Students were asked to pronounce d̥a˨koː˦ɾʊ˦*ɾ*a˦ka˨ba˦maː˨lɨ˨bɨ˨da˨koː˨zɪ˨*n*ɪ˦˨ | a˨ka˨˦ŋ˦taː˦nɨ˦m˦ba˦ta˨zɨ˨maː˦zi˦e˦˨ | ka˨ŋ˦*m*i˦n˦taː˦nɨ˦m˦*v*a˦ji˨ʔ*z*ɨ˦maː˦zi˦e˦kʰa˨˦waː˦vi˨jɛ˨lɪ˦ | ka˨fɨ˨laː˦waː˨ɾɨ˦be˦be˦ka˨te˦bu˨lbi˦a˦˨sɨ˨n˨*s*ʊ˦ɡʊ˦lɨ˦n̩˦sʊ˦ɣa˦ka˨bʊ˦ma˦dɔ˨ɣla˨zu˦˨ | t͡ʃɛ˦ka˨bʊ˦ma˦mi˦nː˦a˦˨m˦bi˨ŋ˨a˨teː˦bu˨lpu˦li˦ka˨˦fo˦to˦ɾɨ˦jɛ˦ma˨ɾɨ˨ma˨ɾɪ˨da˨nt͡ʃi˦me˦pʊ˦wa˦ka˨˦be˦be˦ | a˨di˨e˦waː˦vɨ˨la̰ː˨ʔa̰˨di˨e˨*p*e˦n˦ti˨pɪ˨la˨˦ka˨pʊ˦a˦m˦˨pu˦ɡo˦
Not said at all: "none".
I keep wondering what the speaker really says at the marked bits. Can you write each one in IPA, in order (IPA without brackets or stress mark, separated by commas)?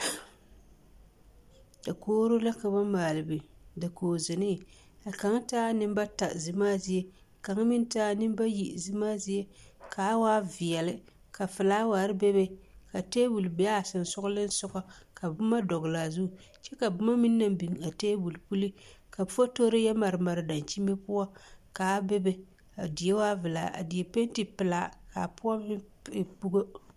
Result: l, n, m, b, z, s, p